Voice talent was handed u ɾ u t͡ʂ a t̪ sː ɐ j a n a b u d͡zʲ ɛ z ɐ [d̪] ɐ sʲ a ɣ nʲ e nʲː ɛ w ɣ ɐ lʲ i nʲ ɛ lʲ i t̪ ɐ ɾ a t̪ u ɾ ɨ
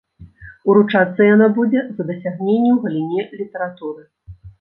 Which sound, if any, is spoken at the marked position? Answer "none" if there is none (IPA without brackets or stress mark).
d̪